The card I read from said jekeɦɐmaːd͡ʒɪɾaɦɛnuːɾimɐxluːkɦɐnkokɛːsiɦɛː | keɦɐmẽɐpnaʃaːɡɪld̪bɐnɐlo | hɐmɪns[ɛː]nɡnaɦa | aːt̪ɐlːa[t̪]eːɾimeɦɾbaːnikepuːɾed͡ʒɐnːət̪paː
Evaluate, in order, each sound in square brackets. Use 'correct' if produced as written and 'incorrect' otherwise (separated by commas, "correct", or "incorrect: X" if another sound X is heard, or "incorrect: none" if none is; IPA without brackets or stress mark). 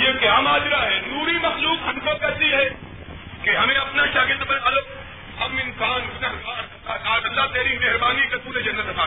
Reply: incorrect: aː, correct